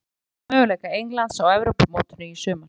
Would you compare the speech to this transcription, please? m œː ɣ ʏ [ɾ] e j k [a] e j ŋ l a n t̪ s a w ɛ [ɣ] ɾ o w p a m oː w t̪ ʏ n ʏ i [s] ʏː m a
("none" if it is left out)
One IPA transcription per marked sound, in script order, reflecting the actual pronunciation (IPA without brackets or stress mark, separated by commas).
l, a, v, s